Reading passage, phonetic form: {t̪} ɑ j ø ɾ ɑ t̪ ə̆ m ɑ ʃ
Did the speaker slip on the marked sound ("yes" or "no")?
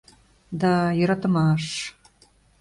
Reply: yes